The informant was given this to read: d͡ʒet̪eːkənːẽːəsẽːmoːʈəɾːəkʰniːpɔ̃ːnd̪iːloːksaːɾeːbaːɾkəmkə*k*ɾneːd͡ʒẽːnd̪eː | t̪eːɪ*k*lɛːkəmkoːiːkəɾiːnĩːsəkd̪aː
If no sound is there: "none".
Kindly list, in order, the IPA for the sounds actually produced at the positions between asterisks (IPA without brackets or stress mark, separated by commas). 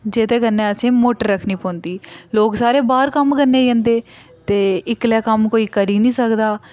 none, k